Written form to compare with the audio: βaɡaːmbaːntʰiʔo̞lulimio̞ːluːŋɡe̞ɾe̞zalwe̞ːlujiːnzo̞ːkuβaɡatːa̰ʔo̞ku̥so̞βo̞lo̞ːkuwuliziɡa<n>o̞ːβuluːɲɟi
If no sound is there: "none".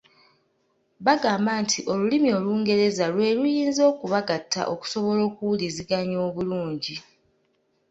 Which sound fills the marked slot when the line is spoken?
ɲ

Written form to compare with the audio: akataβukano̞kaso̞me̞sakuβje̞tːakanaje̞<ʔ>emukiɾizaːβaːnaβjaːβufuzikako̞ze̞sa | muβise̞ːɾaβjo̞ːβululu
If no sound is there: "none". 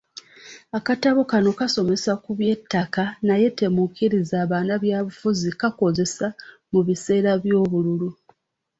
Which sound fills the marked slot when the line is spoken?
t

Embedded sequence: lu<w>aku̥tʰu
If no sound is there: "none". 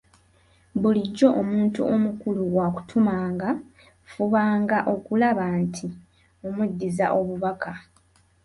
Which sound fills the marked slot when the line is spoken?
w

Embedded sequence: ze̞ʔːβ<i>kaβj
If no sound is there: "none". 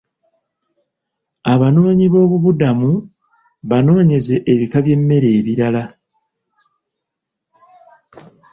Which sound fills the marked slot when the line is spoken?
i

